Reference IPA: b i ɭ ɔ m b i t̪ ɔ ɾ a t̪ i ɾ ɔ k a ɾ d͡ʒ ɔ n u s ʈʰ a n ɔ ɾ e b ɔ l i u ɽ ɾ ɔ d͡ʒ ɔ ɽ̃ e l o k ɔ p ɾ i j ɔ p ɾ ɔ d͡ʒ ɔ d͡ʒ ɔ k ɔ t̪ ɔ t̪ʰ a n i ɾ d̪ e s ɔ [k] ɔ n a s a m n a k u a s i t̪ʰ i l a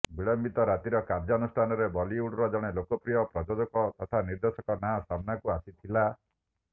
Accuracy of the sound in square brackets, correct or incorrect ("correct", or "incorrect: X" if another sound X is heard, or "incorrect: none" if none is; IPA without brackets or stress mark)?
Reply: correct